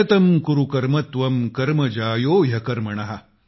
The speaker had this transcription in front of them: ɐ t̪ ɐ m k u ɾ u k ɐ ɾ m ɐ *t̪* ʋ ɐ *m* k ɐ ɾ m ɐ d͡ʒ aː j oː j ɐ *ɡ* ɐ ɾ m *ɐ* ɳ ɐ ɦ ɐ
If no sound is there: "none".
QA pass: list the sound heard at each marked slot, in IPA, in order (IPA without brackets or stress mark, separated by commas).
t̪, m, k, ɐ